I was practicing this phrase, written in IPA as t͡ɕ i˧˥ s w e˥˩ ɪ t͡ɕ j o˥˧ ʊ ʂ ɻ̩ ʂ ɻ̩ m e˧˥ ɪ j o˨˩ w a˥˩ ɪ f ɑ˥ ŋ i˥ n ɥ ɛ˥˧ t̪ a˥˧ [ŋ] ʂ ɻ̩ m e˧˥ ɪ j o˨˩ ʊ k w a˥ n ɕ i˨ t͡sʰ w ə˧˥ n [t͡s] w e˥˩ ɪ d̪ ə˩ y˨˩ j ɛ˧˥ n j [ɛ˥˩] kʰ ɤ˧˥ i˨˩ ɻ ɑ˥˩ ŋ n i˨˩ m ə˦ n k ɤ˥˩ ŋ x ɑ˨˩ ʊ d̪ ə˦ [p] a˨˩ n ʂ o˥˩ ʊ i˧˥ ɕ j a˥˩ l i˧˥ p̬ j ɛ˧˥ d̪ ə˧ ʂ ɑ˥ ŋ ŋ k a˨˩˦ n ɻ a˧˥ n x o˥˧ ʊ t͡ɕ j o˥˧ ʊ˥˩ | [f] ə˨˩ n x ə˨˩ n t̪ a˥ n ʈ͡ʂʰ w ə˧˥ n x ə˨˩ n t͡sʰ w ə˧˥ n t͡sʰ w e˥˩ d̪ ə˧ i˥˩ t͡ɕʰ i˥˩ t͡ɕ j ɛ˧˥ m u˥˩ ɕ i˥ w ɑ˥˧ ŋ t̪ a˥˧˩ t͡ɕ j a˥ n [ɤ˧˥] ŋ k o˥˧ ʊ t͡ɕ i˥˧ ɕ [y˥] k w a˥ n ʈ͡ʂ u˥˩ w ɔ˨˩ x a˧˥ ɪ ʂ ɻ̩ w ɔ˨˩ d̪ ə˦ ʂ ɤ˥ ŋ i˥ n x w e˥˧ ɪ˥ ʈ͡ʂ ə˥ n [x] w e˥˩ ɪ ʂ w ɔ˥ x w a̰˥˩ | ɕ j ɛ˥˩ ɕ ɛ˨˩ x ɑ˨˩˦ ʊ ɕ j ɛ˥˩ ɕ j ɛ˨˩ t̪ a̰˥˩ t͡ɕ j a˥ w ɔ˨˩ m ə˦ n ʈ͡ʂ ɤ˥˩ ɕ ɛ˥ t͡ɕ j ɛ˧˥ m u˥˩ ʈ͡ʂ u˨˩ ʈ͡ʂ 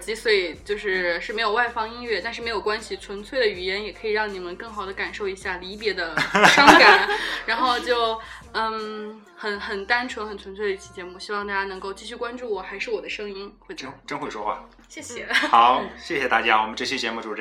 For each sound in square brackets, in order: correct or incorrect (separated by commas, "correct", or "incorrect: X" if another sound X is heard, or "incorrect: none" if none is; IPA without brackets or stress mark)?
incorrect: n, incorrect: t͡sʰ, incorrect: ɛ˨˩, incorrect: k, incorrect: x, correct, incorrect: y˥˩, correct